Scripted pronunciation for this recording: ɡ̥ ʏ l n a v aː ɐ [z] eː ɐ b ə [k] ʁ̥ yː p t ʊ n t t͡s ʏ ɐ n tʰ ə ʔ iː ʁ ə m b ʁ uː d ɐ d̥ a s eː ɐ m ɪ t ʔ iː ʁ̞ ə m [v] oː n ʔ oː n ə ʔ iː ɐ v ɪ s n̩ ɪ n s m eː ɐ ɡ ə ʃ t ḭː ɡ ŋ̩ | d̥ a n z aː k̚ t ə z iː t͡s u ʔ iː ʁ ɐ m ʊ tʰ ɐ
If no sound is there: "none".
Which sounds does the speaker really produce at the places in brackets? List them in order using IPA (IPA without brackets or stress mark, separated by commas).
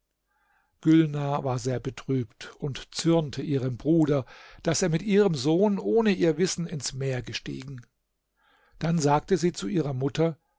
z, t, z